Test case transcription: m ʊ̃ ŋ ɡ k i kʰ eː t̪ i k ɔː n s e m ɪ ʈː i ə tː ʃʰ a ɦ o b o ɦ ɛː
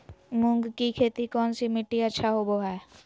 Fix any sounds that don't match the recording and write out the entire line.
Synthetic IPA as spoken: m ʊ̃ ŋ ɡ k i kʰ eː t̪ i k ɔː n s i m ɪ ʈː i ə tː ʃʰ a ɦ o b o ɦ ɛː